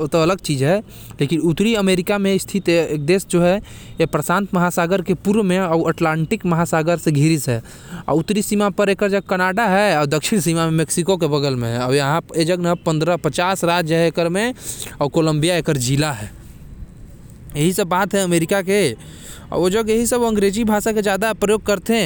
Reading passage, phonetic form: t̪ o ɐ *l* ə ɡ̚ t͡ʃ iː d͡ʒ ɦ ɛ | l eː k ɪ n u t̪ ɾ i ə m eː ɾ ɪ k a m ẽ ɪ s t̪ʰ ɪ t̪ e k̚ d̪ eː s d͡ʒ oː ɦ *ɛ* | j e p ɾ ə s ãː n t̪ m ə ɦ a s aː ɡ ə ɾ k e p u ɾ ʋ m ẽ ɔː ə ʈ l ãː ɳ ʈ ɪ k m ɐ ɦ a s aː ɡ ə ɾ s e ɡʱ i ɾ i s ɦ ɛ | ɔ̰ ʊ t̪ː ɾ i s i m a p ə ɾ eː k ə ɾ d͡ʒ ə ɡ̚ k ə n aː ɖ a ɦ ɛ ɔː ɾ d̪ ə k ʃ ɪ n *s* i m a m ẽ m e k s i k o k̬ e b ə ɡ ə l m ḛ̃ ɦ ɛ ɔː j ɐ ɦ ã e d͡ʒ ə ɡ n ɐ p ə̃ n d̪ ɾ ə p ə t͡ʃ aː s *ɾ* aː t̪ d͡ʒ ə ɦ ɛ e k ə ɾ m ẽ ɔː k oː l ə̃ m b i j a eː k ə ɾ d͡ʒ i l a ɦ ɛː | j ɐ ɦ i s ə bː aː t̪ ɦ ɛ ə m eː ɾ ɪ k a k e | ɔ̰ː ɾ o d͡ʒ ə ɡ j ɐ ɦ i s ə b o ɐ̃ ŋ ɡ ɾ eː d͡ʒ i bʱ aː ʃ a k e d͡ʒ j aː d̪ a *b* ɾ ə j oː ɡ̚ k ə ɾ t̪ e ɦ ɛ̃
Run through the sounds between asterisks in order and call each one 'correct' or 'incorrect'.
correct, correct, correct, correct, incorrect

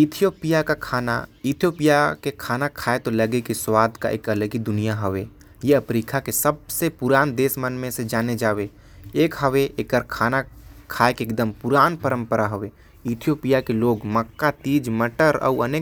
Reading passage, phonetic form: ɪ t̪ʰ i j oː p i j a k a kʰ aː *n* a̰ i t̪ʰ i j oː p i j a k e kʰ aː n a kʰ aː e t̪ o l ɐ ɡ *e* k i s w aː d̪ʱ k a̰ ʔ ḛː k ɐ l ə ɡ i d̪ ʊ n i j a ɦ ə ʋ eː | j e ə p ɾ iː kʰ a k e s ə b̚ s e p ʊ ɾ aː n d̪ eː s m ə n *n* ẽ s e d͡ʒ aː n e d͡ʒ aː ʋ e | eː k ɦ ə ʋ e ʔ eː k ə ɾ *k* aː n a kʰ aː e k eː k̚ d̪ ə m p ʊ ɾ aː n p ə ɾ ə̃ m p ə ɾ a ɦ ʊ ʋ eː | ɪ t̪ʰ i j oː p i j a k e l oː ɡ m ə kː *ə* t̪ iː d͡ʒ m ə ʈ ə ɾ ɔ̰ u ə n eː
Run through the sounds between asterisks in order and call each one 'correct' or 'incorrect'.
correct, correct, incorrect, incorrect, incorrect

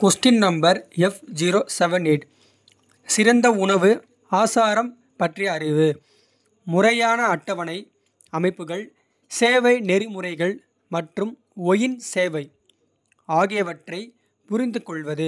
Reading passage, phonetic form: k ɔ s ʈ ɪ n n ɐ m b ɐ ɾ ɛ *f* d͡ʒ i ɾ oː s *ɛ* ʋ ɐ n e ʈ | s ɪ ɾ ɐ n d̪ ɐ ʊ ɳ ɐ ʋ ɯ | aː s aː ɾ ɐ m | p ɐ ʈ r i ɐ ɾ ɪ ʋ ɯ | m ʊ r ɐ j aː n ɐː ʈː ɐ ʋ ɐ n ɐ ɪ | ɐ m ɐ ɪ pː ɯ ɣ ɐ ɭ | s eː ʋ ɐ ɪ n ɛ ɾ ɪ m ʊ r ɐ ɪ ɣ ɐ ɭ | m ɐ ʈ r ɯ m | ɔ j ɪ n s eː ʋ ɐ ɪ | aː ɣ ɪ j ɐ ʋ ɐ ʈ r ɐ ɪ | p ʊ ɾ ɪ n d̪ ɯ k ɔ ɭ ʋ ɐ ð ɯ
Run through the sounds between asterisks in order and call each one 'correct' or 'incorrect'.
correct, correct

